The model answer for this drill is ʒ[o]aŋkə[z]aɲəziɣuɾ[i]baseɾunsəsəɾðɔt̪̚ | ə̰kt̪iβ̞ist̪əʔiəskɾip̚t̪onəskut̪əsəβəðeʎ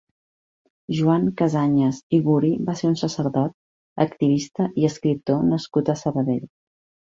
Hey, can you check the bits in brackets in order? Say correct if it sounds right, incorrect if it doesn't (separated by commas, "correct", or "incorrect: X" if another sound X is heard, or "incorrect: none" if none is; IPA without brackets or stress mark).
incorrect: u, correct, correct